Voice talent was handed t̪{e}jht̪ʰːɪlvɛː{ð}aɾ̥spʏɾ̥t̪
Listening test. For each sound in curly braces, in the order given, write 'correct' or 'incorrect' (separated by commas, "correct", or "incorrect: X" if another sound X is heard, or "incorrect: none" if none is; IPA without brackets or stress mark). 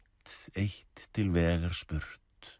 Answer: correct, incorrect: ɣ